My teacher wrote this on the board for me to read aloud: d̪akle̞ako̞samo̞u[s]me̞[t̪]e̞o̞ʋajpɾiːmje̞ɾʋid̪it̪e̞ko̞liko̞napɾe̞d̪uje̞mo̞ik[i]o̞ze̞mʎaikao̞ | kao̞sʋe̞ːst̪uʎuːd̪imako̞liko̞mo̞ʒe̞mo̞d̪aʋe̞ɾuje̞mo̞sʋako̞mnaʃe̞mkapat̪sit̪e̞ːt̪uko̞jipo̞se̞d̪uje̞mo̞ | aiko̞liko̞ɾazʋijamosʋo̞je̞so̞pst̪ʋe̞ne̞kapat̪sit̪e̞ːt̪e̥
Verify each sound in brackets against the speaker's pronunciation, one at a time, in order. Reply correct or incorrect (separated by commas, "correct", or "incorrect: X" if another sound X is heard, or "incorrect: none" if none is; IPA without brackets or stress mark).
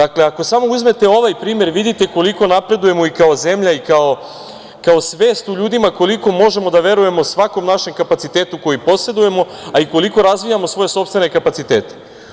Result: incorrect: z, correct, incorrect: a